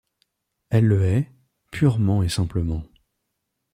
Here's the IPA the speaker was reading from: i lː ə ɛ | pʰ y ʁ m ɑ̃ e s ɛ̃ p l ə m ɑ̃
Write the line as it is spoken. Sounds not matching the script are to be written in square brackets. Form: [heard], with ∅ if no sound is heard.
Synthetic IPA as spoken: [ɛ] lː ə ɛ | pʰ y ʁ m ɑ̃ e s ɛ̃ p l ə m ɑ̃